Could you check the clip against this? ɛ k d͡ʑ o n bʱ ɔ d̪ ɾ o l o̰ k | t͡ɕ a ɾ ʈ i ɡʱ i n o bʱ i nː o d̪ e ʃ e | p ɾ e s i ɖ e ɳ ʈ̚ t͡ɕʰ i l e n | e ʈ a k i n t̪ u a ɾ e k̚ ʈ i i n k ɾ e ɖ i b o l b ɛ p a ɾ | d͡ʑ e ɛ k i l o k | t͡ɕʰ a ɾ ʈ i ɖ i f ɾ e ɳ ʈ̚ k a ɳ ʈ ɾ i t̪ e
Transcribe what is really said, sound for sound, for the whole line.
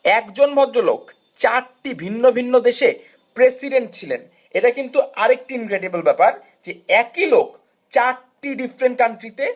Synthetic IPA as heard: ɛ k d͡ʑ o n bʱ ɔ d̪ ɾ o l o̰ k | t͡ɕ a ɾ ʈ i bʱ i nː o bʱ i nː o d̪ e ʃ e | p ɾ e s i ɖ e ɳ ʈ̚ t͡ɕʰ i l e n | e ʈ a k i n t̪ u a ɾ e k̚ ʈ i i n k ɾ e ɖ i b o l b ɛ p a ɾ | d͡ʑ e ɛ k i l o k | t͡ɕ a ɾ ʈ i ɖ i f ɾ e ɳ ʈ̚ k a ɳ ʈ ɾ i t̪ e